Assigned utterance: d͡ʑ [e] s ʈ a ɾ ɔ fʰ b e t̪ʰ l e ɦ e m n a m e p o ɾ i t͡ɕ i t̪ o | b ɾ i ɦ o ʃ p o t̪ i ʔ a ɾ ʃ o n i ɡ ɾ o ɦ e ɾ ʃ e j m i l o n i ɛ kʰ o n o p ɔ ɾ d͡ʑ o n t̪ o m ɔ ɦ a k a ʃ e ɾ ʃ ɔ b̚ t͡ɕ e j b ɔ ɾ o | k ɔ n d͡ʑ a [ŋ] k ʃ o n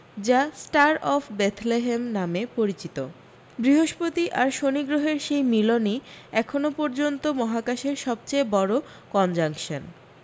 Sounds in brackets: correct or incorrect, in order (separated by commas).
incorrect, correct